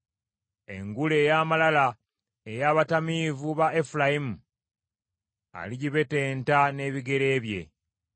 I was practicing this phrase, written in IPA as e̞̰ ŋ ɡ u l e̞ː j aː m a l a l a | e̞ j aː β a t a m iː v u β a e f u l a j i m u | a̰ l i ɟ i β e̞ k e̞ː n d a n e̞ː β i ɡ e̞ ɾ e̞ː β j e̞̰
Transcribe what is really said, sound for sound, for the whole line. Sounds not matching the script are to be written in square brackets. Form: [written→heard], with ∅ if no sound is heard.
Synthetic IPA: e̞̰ ŋ ɡ u l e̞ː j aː m a l a l a | e̞ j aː β a t a m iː v u β a e f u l a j i m u | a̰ l i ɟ i β e̞ [k→t] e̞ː n [d→t] a n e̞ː β i ɡ e̞ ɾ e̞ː β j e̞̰